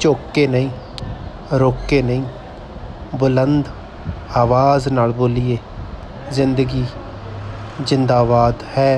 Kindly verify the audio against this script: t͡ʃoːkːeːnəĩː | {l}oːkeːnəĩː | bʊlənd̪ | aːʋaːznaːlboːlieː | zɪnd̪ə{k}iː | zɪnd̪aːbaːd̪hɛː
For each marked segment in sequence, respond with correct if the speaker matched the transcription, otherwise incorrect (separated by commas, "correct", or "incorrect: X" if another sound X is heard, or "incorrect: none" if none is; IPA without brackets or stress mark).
incorrect: ɾ, incorrect: ɡ